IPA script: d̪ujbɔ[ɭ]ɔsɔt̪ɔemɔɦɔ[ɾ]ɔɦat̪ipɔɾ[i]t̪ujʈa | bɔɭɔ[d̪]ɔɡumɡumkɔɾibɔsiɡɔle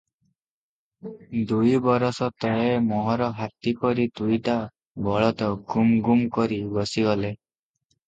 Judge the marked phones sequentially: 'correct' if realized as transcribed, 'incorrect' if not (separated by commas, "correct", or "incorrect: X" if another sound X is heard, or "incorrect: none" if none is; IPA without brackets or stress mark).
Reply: incorrect: ɾ, correct, correct, incorrect: t̪